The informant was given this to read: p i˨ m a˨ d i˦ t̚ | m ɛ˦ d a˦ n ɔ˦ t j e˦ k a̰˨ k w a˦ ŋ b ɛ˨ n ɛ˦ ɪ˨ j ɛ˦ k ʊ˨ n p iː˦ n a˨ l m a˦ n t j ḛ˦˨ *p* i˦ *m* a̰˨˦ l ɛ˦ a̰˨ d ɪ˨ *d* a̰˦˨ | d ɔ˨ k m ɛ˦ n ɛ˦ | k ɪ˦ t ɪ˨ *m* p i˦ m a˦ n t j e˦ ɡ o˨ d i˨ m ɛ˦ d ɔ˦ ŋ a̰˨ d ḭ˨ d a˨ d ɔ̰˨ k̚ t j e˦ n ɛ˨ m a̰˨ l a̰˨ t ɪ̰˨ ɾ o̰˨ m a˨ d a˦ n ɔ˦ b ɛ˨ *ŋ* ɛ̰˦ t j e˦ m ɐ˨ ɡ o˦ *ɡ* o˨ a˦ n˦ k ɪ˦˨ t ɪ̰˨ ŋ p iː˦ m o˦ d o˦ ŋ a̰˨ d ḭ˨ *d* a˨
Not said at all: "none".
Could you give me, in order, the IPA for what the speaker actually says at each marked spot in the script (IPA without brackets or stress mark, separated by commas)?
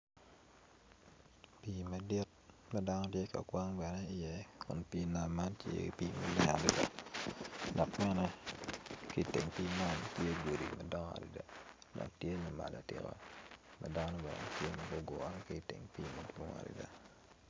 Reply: p, m, d, ŋ, n, ɡ, d